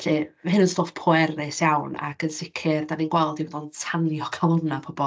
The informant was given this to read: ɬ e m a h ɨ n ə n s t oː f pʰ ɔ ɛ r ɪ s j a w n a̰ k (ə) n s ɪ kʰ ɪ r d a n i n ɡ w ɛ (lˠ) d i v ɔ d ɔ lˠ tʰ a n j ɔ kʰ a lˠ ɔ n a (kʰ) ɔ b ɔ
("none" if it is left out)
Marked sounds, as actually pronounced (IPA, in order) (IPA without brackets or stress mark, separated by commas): ə, lˠ, pʰ